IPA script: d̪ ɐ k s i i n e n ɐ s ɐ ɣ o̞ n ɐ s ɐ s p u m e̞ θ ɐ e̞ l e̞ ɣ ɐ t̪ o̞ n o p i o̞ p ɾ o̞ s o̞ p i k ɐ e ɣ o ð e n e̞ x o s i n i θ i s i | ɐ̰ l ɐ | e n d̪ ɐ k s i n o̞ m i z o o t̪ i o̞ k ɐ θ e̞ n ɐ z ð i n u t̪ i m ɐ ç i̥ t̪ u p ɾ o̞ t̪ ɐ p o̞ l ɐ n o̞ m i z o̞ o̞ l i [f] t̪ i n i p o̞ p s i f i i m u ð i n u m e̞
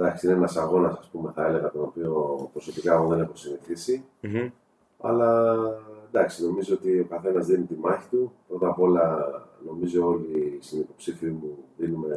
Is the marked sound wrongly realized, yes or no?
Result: yes